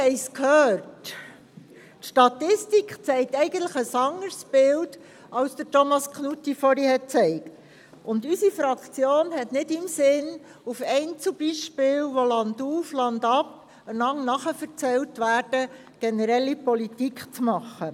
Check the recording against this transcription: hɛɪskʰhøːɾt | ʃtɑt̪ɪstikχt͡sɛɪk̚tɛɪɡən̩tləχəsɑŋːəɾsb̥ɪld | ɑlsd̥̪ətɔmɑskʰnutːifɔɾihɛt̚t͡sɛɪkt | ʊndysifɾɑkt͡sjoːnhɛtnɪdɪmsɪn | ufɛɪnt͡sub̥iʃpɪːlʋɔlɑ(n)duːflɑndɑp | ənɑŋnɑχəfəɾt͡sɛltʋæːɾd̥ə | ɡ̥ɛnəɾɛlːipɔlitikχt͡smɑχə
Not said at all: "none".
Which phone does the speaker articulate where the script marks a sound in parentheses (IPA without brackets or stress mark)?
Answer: n